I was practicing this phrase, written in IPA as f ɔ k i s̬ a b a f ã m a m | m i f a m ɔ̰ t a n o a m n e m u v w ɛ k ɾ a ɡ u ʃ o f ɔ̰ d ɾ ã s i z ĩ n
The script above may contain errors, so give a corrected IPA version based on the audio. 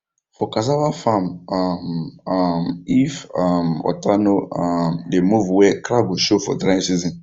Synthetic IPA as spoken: f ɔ k a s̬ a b a f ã m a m | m i f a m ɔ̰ t a n o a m d e m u v w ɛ k ɾ a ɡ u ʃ o f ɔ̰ d ɾ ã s i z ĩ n

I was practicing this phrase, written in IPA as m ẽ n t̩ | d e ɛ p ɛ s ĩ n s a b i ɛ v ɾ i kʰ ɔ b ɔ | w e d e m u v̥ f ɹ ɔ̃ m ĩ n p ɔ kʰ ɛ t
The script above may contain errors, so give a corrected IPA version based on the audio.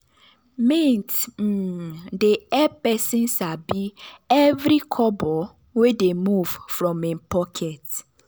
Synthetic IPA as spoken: m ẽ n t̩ | d e ɛ p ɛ s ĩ n s a b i ɛ v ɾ i kʰ ɔ b ɔ | w e d e m u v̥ f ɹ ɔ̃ m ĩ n p ɔ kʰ ɛ t

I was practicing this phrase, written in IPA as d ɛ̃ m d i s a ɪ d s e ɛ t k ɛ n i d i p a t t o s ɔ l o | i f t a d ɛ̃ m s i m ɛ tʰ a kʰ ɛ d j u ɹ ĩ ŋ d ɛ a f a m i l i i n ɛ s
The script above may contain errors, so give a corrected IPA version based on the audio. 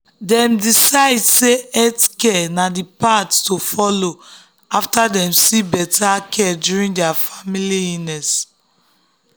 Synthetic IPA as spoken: d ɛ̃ m d i s a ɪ d s e ɛ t k ɛ n a d i p a t t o f ɔ l o | a f t a d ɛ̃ m s i b ɛ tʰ a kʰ ɛ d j u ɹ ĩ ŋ d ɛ a f a m i l i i n ɛ s

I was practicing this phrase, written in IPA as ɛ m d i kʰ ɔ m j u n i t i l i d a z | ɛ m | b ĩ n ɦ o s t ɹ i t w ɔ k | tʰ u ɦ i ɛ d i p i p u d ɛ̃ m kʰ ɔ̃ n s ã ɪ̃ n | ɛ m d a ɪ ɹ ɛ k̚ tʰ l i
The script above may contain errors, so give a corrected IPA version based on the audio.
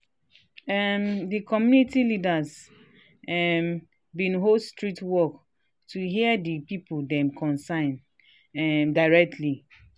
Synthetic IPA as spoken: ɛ m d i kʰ ɔ m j u n i t i l i d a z | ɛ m | b ĩ n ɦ o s t ɹ i t w ɔ k | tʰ u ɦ i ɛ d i p i p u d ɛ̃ m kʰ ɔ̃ n s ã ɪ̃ n | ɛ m d a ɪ ɹ ɛ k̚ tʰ l i

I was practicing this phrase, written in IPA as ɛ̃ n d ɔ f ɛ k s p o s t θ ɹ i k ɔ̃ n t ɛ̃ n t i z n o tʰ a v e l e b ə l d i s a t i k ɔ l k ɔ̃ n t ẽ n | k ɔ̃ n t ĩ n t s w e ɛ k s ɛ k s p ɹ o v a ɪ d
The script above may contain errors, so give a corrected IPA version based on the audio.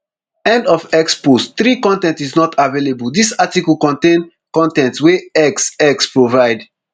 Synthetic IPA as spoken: ɛ̃ n d ɔ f ɛ k s p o s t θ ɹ i k ɔ̃ n t ɛ̃ n t i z n ɔ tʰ a v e l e b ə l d i s a t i k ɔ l k ɔ̃ n t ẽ n | k ɔ̃ n t ɛ̃ n t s w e ɛ k s ɛ k s p ɹ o v a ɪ d

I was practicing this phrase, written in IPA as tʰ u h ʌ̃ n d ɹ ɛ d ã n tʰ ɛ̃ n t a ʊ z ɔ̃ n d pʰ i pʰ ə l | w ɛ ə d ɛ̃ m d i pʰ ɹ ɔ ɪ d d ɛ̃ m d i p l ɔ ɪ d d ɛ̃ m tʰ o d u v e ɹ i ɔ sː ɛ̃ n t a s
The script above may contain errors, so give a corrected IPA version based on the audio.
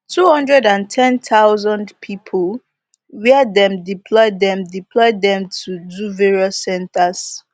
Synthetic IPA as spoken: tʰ u h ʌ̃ n d ɹ ɛ d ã n tʰ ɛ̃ n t a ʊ z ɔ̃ n d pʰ i pʰ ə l | w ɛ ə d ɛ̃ m d i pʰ l ɔ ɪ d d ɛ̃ m d i p l ɔ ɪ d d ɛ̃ m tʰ u d u v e ɹ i ɔ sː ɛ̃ n t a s

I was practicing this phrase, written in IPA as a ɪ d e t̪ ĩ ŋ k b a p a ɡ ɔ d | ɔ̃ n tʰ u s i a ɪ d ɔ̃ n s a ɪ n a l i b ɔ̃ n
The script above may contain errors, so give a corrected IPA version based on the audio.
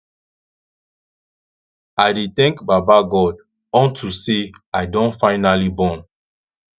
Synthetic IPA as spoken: a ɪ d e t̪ ɛ̃ ŋ k b a b a ɡ ɔ d | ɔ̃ n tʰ u s e a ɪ d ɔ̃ n f a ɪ n a l i b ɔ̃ n

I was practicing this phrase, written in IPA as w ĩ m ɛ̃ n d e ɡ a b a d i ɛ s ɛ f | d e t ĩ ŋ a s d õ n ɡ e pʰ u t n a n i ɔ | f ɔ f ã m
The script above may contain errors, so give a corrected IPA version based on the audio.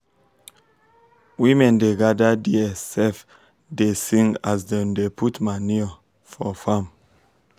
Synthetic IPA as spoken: w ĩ m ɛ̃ n d e ɡ a d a d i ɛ s ɛ f | d e s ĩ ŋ a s d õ n d e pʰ u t m a n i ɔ | f ɔ f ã m

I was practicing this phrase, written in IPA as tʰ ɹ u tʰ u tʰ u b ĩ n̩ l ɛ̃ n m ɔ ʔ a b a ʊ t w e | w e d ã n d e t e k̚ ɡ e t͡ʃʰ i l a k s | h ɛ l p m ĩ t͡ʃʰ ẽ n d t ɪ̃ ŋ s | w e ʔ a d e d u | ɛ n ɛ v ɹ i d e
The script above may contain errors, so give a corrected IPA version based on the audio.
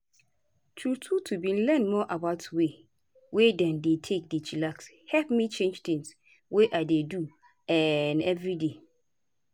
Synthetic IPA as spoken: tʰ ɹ u tʰ u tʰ u b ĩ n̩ l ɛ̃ n m ɔ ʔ a b a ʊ t w e | w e d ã n d e tʰ e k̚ d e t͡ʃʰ i l a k s | h ɛ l p m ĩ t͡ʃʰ ẽ n d͡ʒ t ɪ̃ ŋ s | w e ʔ a d e d u | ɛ n ɛ v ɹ i d e

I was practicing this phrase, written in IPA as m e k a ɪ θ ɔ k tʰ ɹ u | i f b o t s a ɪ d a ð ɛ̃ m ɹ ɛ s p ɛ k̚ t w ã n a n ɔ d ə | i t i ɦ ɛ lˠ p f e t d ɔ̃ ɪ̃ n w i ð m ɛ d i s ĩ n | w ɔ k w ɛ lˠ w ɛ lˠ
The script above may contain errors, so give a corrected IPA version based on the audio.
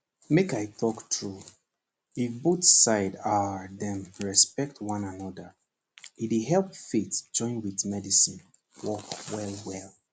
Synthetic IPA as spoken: m e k a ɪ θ ɔ k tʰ ɹ u | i f b o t s a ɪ d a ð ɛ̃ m ɹ ɛ s p ɛ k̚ t w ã n a n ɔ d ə | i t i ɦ ɛ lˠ p f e t d͡ʒ ɔ̃ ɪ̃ n w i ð m ɛ d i s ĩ n | w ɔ k w ɛ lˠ w ɛ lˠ

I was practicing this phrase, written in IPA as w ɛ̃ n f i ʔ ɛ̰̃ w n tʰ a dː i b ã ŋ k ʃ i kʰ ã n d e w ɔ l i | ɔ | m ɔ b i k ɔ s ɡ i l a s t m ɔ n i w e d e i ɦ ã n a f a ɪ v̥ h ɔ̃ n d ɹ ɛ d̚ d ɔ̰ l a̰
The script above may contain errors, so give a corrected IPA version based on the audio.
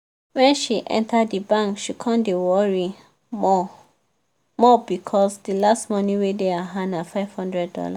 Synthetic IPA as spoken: w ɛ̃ n ʃ i ʔ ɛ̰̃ n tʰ a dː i b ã ŋ k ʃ i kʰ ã n d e w ɔ ɹ i | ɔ | m ɔ b i kʰ ɔ s d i l a s t m ɔ n i w e d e a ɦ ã n a f a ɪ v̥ h ɔ̃ n d ɹ ɛ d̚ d ɔ̰ l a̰

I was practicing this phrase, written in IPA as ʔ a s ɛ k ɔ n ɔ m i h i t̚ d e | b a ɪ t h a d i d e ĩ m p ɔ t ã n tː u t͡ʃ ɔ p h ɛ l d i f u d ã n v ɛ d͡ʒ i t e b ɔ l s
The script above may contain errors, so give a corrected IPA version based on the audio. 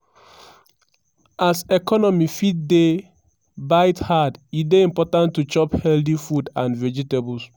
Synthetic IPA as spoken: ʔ a s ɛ k ɔ n ɔ m i f i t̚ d e | b a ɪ t h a d i d e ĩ m p ɔ t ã n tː u t͡ʃ ɔ p h ɛ l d i f u d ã n v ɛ d͡ʒ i t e b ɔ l s

